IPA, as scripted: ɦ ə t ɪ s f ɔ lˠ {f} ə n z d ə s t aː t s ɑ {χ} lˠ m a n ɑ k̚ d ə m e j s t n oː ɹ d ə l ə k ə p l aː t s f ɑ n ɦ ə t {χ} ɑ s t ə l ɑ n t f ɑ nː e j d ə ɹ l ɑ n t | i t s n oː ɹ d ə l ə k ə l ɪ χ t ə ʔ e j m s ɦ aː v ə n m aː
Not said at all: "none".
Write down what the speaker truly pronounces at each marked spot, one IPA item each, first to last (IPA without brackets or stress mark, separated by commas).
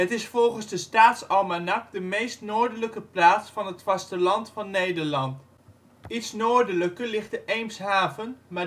χ, none, f